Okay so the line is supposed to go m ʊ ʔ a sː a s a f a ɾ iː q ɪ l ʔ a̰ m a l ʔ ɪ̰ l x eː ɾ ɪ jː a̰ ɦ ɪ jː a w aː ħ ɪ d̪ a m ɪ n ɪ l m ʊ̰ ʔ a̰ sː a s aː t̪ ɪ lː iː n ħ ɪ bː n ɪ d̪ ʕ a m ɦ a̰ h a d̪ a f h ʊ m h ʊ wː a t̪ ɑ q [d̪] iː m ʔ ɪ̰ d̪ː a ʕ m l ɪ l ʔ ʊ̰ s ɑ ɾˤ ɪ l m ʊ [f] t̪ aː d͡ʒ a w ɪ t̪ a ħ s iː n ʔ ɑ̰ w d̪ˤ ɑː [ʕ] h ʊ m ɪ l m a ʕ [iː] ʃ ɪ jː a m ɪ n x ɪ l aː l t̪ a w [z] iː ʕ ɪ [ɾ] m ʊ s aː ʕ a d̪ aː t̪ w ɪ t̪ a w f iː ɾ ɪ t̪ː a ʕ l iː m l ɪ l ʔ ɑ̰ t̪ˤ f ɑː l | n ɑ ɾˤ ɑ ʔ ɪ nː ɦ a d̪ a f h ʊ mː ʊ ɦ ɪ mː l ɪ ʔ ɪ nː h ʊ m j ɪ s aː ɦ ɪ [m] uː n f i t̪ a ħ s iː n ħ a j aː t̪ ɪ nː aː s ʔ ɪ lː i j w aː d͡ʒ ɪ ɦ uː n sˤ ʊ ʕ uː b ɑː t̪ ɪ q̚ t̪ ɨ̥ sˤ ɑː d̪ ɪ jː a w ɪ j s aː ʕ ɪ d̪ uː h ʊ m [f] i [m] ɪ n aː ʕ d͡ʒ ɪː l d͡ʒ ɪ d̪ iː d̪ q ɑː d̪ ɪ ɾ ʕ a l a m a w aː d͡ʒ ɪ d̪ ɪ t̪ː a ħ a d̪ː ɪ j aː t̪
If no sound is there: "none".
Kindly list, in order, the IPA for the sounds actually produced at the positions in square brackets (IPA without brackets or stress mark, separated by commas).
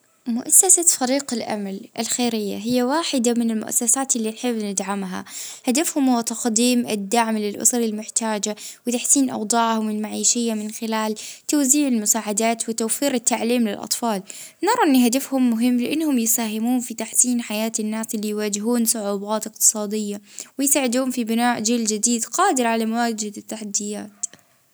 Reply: d̪, ħ, ʕ, iː, z, l, m, f, b